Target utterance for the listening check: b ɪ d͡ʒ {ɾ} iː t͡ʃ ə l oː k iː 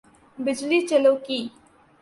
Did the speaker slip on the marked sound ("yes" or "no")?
yes